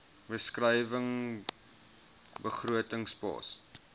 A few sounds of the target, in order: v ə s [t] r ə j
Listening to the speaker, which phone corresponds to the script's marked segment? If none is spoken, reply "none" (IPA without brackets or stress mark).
k